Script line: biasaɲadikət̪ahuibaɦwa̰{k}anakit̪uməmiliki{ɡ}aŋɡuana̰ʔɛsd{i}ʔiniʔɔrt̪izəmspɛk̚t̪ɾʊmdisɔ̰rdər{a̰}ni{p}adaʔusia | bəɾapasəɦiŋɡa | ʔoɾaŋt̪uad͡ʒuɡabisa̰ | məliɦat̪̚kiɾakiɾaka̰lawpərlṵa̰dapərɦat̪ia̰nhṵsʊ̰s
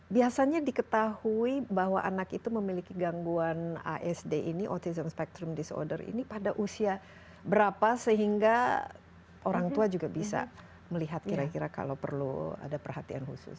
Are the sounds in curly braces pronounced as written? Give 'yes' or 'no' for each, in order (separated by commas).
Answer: no, yes, no, no, yes